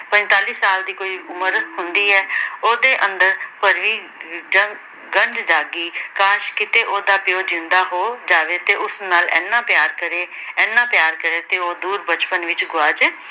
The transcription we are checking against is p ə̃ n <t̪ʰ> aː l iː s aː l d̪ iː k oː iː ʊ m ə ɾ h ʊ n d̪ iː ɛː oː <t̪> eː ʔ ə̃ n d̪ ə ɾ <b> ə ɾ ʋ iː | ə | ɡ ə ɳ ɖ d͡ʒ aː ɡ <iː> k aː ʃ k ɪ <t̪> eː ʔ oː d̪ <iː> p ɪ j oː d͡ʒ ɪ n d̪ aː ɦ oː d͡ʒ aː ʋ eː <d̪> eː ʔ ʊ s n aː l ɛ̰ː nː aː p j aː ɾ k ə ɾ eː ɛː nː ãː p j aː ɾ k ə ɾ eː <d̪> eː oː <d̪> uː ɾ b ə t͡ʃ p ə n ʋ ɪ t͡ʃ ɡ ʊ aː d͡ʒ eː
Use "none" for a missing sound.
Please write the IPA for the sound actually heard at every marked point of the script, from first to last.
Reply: t̪, d̪, p, iː, t̪, aː, t̪, t̪, d̪

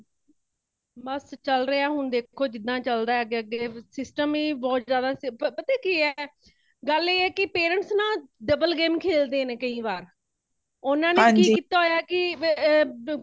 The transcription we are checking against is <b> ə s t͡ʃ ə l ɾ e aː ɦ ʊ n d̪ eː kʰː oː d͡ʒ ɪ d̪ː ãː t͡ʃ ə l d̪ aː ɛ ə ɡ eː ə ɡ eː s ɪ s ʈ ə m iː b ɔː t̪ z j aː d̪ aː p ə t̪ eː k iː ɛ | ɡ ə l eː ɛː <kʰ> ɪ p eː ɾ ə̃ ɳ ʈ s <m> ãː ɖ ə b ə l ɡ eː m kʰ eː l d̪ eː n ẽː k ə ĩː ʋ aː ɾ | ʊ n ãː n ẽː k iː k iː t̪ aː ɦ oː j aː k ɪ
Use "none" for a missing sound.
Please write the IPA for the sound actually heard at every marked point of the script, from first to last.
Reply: b, k, n

